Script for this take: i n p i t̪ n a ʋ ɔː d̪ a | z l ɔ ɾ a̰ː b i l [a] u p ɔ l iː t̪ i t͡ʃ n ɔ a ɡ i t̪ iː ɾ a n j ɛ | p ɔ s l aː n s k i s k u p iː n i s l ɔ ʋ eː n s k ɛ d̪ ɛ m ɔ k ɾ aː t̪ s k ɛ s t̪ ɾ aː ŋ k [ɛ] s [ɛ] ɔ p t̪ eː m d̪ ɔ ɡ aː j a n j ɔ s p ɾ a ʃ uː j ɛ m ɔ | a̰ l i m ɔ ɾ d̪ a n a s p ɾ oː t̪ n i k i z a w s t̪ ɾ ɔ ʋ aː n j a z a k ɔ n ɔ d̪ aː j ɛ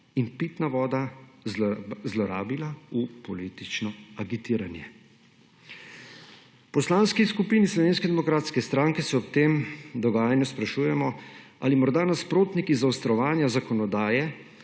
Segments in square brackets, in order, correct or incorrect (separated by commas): correct, correct, correct